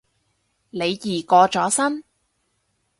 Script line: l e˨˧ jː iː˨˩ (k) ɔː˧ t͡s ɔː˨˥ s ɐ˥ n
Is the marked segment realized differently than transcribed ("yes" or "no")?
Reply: no